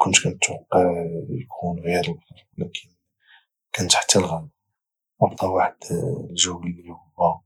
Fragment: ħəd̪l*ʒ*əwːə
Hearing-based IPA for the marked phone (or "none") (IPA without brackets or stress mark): ʒ